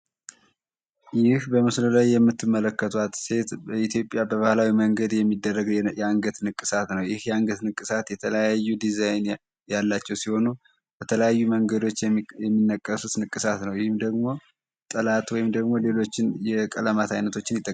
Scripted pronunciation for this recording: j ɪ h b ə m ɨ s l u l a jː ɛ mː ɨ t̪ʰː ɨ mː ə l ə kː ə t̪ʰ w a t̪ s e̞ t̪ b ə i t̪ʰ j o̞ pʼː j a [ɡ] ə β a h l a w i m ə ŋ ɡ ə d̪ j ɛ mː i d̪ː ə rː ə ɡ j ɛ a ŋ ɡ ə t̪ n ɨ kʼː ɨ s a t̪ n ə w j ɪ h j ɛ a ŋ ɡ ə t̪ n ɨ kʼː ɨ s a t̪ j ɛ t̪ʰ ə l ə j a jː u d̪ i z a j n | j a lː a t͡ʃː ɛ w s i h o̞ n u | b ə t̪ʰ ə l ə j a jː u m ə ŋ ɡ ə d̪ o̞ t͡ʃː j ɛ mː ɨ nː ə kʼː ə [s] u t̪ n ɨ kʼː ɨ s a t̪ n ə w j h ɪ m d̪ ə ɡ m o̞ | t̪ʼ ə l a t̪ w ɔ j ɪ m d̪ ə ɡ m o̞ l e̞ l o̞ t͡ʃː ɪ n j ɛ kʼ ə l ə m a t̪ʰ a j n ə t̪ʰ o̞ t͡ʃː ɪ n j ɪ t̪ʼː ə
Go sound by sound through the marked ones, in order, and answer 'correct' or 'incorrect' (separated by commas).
incorrect, correct